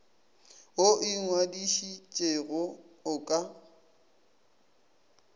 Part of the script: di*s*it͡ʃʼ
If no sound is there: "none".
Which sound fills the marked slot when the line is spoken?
ʃ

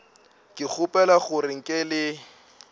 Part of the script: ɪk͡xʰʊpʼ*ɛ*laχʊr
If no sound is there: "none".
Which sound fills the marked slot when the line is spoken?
ɛ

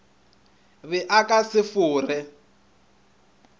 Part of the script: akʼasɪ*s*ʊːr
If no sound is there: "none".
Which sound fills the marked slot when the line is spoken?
f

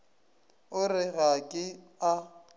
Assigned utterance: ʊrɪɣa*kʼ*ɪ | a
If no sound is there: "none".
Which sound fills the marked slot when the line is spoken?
kʼ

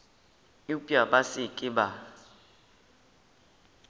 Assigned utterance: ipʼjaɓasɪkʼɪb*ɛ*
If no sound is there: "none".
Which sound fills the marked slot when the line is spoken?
a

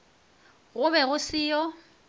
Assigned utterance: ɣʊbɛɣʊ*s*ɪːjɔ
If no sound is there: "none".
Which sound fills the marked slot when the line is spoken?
s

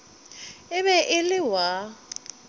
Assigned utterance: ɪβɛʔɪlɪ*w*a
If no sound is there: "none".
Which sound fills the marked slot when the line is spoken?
w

